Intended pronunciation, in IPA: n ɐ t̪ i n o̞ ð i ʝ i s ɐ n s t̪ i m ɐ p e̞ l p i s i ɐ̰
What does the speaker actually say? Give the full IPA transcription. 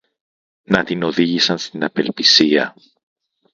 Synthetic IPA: n ɐ t̪ i n o̞ ð i ʝ i s ɐ n s t̪ i n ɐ p e̞ l p i s i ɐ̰

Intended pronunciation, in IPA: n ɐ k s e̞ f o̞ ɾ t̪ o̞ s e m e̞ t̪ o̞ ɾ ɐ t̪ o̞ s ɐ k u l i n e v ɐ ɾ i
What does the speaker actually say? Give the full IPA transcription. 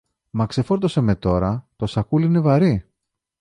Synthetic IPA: m ɐ k s e̞ f o̞ ɾ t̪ o̞ s e m e̞ t̪ o̞ ɾ ɐ t̪ o̞ s ɐ k u l i n e v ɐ ɾ i

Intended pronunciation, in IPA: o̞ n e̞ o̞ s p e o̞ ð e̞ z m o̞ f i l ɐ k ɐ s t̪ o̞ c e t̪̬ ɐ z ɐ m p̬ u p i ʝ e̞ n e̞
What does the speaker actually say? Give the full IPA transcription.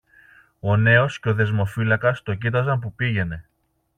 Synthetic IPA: o̞ n e̞ o̞ s c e o̞ ð e̞ z m o̞ f i l ɐ k ɐ s t̪ o̞ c i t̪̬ ɐ z ɐ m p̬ u p i ʝ e̞ n e̞

